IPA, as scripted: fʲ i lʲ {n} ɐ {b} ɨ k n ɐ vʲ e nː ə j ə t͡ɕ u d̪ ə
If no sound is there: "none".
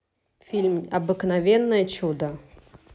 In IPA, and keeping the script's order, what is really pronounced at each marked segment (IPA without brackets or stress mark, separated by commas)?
m, b